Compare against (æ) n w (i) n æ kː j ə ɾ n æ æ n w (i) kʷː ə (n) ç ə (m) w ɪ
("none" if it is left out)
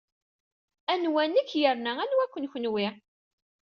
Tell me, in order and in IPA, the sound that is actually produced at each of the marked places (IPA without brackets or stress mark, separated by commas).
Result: æ, æ, æ, n, n